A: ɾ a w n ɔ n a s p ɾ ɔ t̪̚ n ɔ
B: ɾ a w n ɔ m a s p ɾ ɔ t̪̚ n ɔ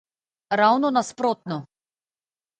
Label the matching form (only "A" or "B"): A